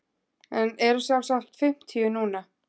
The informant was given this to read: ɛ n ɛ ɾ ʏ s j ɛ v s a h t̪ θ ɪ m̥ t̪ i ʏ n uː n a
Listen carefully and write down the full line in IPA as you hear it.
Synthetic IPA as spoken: ɛ n ɛ ɾ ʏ s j a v s a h t̪ f ɪ m̥ t̪ʰ i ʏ n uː n a